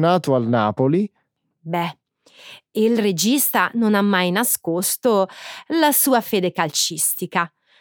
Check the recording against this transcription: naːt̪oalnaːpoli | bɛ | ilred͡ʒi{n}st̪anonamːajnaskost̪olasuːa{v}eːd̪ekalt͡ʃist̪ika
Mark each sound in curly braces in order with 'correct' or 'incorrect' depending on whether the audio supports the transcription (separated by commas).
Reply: incorrect, incorrect